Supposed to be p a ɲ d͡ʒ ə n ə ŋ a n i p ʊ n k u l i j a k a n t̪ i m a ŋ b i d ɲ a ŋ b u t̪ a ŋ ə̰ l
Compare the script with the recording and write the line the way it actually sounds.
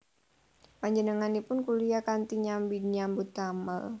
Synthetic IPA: p a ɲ d͡ʒ ə n ə ŋ a n i p ʊ n k u l i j a k a n t̪ i ɲ a m b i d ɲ a m b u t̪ a m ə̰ l